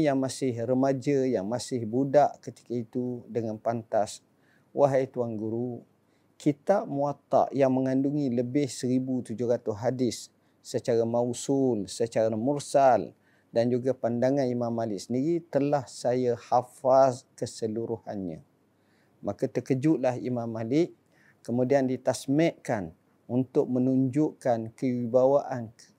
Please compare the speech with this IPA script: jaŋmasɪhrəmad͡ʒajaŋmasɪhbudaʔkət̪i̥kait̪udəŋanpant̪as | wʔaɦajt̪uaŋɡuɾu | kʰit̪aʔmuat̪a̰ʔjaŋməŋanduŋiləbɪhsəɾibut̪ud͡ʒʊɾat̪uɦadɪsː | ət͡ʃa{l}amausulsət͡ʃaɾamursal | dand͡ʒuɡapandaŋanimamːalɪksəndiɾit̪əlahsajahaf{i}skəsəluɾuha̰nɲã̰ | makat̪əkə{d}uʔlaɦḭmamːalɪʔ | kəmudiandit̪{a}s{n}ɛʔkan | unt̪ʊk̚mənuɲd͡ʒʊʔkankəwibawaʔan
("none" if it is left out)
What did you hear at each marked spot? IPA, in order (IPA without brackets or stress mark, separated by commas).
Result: ɾ, a, d͡ʒ, a, m